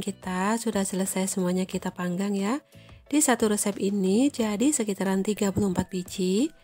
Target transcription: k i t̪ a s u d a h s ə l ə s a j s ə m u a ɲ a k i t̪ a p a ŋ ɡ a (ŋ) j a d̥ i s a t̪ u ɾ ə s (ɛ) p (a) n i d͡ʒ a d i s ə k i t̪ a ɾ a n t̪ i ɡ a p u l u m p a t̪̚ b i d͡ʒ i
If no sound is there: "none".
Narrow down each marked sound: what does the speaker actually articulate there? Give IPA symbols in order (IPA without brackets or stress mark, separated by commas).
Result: ŋ, ɛ, i